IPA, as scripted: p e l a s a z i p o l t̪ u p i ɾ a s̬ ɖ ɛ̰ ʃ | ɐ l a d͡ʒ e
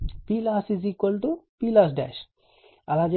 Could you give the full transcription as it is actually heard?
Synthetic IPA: p i l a s i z i k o l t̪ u p i l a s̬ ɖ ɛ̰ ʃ | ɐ l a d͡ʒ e